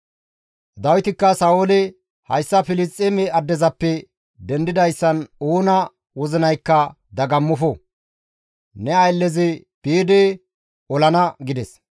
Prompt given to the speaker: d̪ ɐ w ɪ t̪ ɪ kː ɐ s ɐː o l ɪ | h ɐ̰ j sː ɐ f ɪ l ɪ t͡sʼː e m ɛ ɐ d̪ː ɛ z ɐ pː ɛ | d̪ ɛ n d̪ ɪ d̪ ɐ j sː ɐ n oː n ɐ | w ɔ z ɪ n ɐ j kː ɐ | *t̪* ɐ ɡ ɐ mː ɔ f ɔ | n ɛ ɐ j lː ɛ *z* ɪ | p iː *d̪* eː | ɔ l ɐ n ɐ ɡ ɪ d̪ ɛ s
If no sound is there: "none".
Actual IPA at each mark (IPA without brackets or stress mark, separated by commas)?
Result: d̪, z, d̪